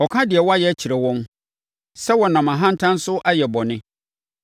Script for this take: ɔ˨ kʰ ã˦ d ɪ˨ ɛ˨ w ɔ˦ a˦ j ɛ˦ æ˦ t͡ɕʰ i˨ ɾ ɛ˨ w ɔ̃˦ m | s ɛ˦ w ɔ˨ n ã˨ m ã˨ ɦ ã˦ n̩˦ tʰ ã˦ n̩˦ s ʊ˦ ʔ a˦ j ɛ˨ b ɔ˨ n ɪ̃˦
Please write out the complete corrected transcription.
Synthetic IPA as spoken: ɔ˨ kʰ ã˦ d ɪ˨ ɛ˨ w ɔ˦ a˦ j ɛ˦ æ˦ t͡ɕʰ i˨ ɾ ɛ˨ w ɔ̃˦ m | s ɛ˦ w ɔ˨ n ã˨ m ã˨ ɦ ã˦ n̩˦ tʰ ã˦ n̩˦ s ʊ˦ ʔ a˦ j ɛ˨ b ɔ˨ n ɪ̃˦